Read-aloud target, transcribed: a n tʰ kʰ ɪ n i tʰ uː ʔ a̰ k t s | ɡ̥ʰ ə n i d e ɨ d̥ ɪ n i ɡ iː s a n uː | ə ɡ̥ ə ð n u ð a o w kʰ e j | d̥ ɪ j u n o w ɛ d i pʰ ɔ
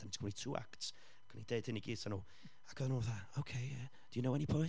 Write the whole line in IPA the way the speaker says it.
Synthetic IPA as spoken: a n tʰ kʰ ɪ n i tʰ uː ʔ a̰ k t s | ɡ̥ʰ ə n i d e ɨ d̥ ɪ n i ɡ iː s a n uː | a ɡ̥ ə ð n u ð a o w kʰ e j | d̥ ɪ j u n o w ɛ n i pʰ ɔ